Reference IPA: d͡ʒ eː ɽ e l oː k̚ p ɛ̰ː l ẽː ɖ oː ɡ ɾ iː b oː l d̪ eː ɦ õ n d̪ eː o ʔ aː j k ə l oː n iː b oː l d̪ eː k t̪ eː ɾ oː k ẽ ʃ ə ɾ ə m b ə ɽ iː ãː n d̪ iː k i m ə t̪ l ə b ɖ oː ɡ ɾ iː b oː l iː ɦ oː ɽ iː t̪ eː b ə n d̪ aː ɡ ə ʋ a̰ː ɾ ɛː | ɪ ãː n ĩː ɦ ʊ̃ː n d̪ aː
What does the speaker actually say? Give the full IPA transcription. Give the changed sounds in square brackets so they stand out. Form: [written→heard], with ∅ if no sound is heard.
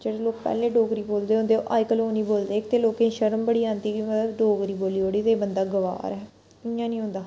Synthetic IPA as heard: d͡ʒ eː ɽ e l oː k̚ p ɛ̰ː l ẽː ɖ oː ɡ ɾ iː b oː l d̪ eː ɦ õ n d̪ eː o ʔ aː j k ə l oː n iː b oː l d̪ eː k t̪ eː [ɾ→l] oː k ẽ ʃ ə ɾ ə m b ə ɽ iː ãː n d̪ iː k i m ə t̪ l ə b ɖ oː ɡ ɾ iː b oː l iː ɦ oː ɽ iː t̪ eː b ə n d̪ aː ɡ ə ʋ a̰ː ɾ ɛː | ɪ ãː n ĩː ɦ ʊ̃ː n d̪ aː